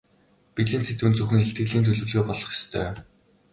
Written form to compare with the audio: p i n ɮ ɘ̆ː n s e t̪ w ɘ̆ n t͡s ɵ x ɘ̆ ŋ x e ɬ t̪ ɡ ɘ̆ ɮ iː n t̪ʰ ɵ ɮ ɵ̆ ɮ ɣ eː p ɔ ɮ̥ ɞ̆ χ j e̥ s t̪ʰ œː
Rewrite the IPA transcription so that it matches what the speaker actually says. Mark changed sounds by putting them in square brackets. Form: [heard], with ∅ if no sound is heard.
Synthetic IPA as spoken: p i [∅] ɮ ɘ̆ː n s e t̪ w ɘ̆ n t͡s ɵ x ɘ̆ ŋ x e ɬ t̪ ɡ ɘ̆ ɮ iː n t̪ʰ ɵ ɮ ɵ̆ ɮ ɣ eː p ɔ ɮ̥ ɞ̆ χ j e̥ s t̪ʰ œː